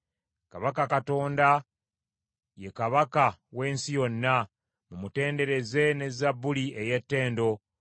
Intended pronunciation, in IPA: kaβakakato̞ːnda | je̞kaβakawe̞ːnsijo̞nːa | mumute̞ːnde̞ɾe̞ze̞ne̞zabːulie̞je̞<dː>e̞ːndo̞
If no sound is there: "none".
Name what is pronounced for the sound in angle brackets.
tː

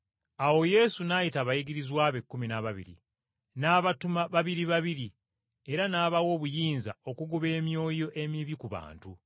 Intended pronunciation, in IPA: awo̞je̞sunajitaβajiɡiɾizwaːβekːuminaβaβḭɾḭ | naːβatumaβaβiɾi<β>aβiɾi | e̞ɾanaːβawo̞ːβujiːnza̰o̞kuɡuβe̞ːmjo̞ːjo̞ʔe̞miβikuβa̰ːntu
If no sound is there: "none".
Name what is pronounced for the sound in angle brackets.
β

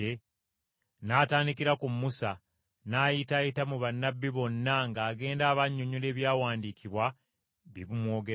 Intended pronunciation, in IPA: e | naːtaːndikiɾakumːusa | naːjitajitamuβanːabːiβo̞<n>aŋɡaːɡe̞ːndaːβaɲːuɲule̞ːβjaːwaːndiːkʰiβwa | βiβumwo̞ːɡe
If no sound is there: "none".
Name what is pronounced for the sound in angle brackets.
nː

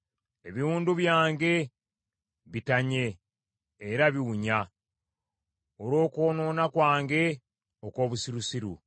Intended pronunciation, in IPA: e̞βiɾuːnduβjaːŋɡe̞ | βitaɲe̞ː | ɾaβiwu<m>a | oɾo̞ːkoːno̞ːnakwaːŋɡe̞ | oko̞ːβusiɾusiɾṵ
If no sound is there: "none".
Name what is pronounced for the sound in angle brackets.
ɲ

